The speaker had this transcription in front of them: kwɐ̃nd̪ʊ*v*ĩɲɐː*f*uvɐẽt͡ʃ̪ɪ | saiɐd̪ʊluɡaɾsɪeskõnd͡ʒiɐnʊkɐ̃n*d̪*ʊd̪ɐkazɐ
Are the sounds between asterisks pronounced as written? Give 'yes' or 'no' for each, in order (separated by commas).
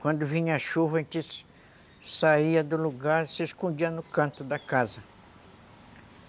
yes, no, no